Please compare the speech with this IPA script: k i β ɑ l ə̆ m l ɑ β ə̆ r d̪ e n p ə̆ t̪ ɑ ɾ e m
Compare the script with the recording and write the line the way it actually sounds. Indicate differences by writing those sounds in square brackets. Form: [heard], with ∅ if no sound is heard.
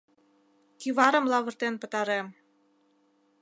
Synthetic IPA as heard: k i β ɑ [ɾ] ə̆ m l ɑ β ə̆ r [t̪] e n p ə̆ t̪ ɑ ɾ e m